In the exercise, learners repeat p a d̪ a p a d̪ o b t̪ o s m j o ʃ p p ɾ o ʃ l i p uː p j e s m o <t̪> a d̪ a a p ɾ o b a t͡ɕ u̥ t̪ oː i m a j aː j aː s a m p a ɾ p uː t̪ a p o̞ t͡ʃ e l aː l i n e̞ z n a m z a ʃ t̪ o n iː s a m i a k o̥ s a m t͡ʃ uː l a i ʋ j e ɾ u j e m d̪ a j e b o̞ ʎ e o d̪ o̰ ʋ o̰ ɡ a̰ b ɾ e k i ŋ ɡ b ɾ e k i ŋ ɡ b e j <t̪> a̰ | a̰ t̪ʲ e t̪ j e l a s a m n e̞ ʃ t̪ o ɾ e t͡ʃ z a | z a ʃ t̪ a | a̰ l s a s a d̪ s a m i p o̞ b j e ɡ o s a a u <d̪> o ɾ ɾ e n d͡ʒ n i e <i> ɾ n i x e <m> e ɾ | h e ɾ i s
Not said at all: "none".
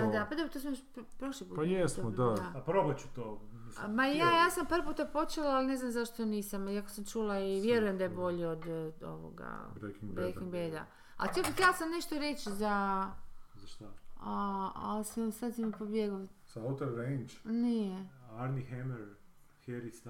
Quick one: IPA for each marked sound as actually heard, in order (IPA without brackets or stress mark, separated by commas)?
d̪, d̪, t̪, a, m